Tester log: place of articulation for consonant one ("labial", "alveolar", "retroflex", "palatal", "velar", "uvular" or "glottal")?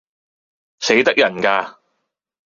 alveolar